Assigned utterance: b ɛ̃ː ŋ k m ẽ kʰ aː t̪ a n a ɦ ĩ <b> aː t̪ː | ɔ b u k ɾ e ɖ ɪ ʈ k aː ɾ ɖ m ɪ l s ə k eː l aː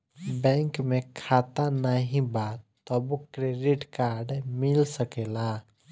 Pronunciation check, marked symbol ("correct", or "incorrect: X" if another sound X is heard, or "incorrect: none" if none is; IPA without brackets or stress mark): correct